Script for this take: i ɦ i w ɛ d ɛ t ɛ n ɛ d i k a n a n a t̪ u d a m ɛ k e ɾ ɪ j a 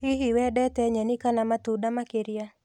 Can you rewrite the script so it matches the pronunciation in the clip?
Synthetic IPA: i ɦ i w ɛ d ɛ t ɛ ɲ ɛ n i k a n a m a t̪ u d a m a k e ɾ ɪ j a